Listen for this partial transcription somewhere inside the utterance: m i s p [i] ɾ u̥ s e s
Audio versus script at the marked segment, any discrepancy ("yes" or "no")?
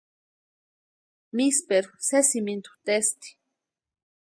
yes